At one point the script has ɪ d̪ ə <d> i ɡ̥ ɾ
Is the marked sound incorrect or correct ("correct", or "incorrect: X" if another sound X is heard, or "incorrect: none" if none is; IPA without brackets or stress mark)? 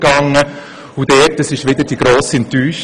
correct